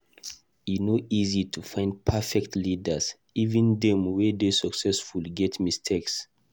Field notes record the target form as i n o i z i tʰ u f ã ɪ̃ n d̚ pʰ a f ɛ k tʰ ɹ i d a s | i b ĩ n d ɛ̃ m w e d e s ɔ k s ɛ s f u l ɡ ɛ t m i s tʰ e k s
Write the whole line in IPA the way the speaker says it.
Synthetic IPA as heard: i n o i z i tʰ u f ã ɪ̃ n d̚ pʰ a f ɛ k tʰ l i d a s | i v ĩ n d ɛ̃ m w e d e s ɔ k s ɛ s f u l ɡ ɛ t m i s tʰ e k s